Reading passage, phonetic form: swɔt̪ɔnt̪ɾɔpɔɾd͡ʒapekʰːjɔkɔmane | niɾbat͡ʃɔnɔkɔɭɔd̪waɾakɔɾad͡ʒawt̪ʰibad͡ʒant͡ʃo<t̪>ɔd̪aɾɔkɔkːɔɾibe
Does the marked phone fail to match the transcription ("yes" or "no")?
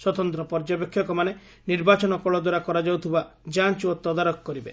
no